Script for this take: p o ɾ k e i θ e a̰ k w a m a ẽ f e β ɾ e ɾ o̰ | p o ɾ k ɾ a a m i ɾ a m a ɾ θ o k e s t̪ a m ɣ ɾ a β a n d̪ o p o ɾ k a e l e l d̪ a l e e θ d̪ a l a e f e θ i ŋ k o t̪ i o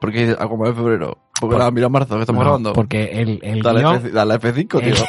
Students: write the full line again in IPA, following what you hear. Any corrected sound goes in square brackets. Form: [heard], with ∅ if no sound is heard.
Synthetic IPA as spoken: p o ɾ k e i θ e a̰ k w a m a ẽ f e β ɾ e ɾ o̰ | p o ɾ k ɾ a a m i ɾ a m a ɾ θ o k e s t̪ a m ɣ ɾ a β a n d̪ o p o ɾ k [e] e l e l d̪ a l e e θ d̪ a l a e f e θ i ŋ k o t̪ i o